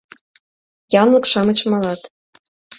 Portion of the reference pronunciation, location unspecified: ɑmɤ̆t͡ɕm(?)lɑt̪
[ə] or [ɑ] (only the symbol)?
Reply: ɑ